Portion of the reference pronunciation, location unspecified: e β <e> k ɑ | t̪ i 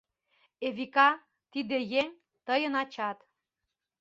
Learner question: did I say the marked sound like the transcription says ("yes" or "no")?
no